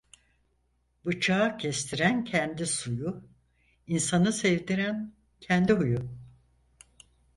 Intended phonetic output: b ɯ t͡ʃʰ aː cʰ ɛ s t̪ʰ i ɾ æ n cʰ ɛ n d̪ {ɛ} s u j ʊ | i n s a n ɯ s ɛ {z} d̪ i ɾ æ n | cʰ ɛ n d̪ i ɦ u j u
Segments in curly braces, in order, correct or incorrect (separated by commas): incorrect, incorrect